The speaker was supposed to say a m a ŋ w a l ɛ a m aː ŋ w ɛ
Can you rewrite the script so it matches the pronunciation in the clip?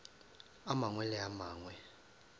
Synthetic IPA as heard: a m a ŋ w ɛ l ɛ a m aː ŋ w ɛ